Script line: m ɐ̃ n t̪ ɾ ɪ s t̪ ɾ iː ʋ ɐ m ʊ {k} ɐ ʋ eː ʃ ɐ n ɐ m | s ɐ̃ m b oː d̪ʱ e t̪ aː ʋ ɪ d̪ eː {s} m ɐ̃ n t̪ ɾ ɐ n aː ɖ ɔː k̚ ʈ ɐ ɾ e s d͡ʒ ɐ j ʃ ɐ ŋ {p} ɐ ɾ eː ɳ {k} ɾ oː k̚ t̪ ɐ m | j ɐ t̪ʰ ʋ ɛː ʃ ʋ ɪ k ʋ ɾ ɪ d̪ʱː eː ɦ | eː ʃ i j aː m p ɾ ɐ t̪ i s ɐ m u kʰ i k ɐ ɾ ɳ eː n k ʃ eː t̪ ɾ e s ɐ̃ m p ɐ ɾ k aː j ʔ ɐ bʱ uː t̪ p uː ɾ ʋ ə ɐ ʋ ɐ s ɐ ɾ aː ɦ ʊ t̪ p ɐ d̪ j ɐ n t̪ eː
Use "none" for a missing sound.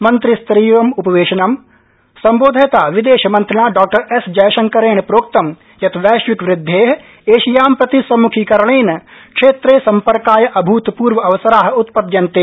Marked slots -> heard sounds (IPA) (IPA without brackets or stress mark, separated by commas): p, ʃ, k, p